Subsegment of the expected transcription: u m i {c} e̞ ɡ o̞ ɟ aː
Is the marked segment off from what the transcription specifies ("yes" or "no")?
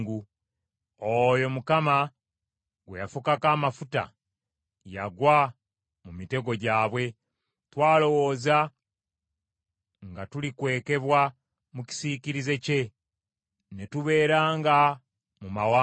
yes